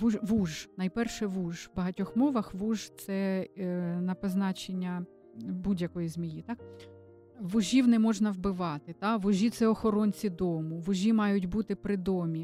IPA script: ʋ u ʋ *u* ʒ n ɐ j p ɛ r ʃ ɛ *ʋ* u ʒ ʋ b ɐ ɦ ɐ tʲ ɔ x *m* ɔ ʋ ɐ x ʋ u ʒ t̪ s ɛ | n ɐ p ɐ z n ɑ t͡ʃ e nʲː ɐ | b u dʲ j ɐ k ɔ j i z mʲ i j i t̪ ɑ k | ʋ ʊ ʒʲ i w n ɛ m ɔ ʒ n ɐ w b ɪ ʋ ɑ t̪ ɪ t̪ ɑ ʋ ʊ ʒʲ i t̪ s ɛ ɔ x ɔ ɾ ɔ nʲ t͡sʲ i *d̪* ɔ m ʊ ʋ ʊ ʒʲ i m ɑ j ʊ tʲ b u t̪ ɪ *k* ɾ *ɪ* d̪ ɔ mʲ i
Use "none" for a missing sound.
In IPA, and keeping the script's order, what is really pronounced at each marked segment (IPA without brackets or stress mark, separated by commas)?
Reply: u, ʋ, m, d̪, p, ɪ